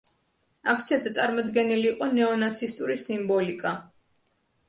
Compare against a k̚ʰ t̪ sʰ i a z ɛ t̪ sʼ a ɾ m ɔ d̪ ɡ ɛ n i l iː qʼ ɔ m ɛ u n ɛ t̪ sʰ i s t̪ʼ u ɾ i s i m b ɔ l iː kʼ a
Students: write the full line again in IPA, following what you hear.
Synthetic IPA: a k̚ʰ t̪ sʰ i a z ɛ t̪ sʼ a ɾ m ɔ d̪ ɡ ɛ n i l iː qʼ ɔ n ɛ ɔ n a t̪ sʰ i s t̪ʼ u ɾ i s i m b ɔ l i kʼ a